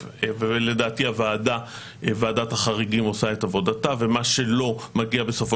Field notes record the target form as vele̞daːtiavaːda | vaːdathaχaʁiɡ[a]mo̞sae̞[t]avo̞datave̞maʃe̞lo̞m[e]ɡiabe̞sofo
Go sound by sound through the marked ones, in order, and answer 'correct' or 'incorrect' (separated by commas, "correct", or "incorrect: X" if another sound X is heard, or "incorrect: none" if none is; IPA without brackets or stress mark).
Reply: incorrect: i, correct, incorrect: a